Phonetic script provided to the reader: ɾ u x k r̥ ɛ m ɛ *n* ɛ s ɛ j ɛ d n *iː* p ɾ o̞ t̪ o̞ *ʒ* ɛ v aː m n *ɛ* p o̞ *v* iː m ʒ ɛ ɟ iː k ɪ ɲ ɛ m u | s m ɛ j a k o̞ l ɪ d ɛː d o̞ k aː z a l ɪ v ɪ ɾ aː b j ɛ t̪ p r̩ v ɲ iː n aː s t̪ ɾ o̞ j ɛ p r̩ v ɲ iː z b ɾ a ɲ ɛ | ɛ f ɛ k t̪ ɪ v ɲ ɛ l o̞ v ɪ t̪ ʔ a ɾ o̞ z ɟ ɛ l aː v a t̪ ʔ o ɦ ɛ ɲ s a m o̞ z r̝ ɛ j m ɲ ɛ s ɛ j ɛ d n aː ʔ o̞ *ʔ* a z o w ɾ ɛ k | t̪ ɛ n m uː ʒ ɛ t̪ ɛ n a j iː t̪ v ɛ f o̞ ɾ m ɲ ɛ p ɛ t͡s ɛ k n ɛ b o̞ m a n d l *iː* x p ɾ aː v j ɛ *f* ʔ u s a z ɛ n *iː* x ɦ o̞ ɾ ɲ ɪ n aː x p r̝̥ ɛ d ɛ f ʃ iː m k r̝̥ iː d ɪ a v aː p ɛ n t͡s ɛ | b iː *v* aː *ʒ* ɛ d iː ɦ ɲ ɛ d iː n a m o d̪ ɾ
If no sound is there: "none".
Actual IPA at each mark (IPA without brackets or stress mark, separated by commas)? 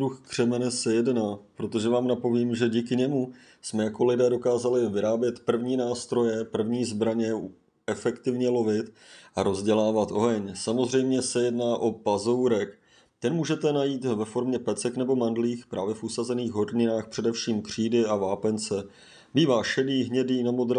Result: n, aː, ʒ, a, v, p, iː, f, iː, v, ʃ